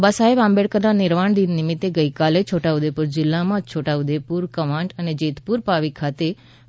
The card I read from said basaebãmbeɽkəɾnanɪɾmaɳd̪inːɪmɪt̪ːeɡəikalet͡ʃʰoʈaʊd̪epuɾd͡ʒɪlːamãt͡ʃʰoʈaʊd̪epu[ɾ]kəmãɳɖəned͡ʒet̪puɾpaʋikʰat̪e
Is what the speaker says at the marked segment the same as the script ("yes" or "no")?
yes